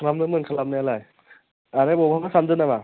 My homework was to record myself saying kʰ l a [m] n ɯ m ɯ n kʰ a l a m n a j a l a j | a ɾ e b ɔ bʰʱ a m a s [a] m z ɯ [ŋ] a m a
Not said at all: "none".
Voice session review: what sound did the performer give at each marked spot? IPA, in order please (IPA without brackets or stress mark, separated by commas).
m, a, n